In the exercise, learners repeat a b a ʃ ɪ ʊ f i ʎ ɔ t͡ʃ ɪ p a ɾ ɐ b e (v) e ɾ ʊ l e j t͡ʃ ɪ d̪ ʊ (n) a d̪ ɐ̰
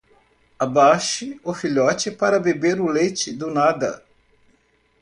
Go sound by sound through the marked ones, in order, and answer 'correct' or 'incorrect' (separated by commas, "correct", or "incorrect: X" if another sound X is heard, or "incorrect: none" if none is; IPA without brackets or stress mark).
incorrect: b, correct